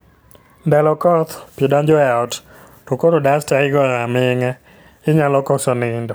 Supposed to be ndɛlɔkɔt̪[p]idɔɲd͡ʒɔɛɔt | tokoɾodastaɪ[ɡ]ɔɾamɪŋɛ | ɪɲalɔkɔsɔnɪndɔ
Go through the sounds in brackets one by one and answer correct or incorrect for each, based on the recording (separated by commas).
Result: correct, correct